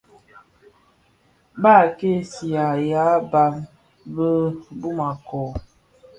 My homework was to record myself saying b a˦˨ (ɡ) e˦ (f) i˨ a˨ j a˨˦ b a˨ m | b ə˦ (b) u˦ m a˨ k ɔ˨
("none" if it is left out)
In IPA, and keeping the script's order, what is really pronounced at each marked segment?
k, s, b

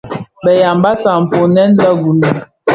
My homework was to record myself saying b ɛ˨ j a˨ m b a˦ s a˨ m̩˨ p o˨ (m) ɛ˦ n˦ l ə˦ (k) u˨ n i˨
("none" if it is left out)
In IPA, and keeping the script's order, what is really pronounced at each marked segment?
n, ɡ

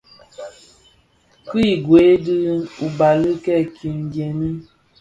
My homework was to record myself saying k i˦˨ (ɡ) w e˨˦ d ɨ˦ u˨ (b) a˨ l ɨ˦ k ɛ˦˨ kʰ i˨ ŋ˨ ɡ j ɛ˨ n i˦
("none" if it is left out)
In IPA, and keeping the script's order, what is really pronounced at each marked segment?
ɡ, b

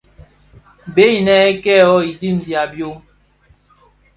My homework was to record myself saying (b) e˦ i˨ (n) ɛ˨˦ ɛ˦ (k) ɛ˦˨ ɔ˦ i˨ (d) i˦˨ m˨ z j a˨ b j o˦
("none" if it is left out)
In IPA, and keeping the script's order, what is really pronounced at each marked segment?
b, n, k, d

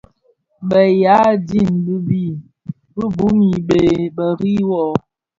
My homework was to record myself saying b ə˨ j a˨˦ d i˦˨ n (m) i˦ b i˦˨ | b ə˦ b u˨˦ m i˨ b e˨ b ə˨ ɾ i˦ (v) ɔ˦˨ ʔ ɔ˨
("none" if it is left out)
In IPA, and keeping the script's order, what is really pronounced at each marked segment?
b, w

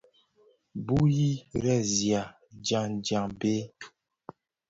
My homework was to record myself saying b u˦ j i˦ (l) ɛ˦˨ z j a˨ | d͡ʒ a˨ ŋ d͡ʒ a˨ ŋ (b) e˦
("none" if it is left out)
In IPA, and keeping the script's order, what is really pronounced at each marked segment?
ɾ, b

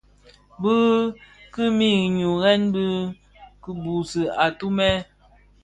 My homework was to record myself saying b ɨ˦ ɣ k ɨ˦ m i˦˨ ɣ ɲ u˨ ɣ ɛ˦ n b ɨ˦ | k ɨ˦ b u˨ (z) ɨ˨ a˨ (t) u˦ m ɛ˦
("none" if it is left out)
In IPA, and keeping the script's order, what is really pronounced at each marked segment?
s, t

